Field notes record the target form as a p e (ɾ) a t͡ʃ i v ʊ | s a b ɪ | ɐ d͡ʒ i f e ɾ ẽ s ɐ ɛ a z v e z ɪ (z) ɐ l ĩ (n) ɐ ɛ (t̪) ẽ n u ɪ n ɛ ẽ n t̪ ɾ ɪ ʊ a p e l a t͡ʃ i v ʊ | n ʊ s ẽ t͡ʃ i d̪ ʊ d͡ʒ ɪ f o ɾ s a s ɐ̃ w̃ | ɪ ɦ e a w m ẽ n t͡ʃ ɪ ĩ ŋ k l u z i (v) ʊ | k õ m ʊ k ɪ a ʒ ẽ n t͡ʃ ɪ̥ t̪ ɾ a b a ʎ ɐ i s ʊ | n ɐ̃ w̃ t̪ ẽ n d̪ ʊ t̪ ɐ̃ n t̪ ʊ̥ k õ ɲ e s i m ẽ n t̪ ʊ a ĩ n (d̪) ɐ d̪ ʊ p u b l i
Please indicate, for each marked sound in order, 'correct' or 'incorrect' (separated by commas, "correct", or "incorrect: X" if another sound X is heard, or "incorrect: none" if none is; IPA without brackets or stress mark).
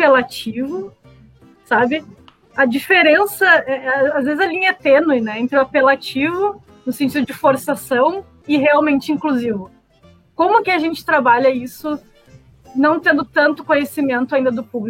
incorrect: l, correct, incorrect: ɲ, correct, correct, correct